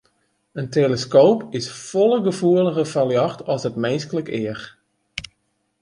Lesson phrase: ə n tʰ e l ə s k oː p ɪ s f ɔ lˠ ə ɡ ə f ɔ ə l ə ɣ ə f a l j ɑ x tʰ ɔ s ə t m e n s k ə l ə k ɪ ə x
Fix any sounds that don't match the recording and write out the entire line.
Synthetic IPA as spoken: ə n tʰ e l ə s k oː p ɪ s f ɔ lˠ ə ɡ ə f u ə l ə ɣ ə f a l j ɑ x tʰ ɔ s ə t m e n s k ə l ə k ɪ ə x